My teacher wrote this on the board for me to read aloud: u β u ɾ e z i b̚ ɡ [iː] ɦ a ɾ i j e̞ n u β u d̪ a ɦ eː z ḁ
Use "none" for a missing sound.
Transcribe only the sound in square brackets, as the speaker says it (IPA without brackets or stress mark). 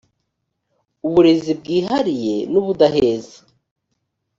iː